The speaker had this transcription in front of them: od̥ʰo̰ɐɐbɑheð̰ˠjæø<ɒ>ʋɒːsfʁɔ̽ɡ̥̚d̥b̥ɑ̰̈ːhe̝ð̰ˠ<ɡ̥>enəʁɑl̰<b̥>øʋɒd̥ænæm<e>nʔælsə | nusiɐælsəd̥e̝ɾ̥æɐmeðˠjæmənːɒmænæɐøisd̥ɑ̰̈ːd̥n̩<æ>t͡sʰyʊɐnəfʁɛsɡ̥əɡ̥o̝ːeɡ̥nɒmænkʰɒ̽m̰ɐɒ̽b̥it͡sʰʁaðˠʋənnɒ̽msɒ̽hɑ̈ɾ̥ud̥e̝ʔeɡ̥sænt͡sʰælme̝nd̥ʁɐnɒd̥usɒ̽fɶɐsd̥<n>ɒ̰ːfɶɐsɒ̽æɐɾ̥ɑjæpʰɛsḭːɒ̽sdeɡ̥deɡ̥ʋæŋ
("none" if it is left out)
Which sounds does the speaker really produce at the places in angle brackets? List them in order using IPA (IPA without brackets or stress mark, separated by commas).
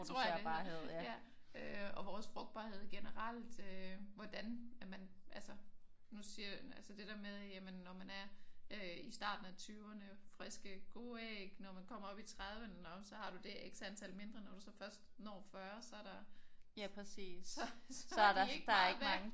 ɒ, ɡ̥, d̥, æ, æ, n